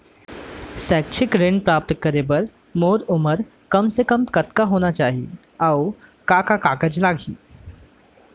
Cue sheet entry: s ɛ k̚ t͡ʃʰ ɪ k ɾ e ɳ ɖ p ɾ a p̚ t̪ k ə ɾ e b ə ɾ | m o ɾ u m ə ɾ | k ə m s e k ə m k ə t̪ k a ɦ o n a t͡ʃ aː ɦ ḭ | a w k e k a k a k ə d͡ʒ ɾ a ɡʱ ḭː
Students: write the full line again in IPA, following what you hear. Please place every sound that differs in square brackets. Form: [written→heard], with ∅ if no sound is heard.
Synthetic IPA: s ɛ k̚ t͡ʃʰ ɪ k ɾ e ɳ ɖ p ɾ a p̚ t̪ k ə ɾ e b ə ɾ | m o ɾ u m ə ɾ | k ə m s e k ə m k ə t̪ k a ɦ o n a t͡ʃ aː ɦ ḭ | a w k [e→a] k a k a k ə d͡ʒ [ɾ→l] a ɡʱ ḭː